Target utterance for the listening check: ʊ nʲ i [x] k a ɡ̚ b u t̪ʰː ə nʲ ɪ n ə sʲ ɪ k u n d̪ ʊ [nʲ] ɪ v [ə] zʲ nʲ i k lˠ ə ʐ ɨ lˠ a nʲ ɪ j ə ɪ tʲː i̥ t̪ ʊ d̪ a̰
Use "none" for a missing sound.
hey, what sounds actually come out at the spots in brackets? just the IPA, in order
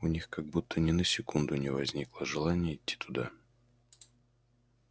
x, nʲ, ɐ

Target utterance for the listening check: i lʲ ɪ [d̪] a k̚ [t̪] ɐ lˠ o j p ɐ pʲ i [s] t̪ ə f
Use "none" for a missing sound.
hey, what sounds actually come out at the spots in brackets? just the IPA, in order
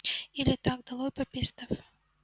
t̪, d̪, s

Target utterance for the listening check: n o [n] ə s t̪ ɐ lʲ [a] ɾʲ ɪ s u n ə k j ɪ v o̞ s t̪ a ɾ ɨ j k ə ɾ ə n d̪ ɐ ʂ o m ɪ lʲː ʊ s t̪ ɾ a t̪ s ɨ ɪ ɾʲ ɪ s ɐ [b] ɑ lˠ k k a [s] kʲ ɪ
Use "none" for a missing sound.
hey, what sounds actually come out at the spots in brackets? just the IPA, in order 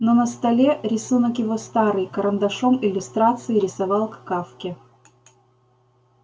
n, e, v, f

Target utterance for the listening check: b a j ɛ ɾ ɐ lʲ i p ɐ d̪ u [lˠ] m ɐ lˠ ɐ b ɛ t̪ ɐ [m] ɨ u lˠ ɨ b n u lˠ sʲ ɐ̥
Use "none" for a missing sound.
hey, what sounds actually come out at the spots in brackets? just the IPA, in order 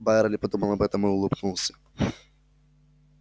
none, m

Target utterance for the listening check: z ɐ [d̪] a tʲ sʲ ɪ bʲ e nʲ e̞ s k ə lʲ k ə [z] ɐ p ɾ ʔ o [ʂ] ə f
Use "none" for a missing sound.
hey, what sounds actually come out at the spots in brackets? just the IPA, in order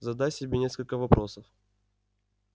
d̪, v, s

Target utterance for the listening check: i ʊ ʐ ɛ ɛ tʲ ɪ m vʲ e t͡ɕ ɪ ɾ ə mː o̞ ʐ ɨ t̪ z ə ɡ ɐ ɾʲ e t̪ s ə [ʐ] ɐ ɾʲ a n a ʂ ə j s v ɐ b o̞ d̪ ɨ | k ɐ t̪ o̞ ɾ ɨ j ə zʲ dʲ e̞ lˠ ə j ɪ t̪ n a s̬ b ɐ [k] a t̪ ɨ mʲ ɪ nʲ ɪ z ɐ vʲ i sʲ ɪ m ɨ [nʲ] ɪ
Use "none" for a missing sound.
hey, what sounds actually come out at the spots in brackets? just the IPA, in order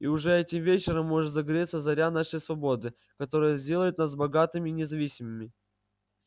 z, ɡ, mʲ

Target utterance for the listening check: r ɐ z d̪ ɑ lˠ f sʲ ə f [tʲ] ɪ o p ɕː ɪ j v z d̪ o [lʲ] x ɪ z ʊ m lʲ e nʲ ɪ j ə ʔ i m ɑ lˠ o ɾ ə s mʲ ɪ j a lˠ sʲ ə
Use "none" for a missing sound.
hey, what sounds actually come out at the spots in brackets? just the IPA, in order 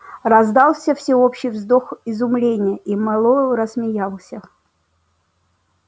sʲ, none

